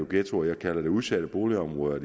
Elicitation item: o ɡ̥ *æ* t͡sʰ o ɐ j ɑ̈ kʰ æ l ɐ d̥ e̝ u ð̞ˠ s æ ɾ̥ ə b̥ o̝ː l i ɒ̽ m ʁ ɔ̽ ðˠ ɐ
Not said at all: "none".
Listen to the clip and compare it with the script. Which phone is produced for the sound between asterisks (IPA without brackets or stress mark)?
e